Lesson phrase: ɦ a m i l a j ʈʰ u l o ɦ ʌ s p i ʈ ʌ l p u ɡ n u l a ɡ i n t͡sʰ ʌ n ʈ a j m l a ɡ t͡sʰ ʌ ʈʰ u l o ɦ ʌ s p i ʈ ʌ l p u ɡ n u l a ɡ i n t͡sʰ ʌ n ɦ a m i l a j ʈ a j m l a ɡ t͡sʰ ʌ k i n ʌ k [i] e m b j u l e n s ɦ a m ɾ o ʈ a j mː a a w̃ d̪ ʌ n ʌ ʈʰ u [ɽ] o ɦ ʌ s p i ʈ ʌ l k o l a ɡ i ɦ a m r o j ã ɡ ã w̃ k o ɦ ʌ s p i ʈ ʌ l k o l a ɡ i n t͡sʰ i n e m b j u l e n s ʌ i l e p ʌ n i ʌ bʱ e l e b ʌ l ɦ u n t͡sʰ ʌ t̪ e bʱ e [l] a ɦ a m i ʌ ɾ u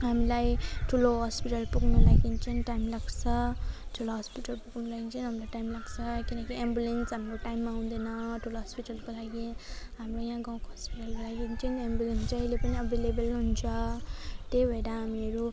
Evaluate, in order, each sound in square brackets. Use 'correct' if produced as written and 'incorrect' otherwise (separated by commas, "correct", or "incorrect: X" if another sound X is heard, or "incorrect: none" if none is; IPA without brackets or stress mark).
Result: correct, incorrect: l, incorrect: ɽ